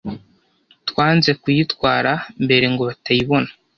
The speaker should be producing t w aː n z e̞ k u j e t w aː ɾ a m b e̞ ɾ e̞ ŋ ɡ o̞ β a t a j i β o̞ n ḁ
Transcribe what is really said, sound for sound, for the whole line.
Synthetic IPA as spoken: t w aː n z e̞ k u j i t w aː ɾ a m b e̞ ɾ e̞ ŋ ɡ o̞ β a t a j i β o̞ n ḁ